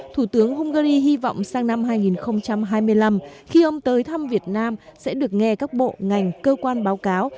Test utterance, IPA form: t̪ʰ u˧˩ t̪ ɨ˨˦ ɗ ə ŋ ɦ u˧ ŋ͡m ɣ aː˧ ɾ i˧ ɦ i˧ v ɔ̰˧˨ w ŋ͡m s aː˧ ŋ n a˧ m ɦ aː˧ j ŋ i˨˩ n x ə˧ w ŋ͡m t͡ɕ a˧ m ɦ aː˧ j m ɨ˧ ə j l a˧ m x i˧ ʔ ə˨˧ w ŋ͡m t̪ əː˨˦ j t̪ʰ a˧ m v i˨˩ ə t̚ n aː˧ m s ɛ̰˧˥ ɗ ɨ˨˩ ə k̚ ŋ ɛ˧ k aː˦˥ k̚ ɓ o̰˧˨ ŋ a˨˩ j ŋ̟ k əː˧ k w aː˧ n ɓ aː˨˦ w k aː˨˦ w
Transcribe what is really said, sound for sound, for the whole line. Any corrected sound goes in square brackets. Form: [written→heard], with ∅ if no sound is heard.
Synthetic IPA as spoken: t̪ʰ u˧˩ t̪ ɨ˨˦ [ɗ→∅] ə ŋ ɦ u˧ ŋ͡m ɣ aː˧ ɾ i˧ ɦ i˧ v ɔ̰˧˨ w ŋ͡m s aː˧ ŋ n a˧ m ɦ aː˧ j ŋ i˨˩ n x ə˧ w ŋ͡m t͡ɕ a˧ m ɦ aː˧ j m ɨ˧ ə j l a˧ m x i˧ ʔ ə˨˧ w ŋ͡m t̪ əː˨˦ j t̪ʰ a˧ m v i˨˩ ə t̚ n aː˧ m s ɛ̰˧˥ ɗ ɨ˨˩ ə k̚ ŋ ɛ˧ k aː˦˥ k̚ ɓ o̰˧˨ ŋ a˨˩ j ŋ̟ k əː˧ k w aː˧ n ɓ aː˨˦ w k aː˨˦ w